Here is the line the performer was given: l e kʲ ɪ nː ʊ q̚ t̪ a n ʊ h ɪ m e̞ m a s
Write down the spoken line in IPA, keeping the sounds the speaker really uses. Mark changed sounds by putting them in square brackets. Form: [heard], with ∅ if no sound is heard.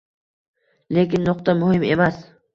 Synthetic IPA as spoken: l e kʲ ɪ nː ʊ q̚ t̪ a [m] ʊ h ɪ m e̞ m a s